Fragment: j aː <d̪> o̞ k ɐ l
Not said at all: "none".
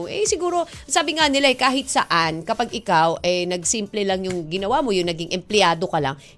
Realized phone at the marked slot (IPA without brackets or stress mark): d̪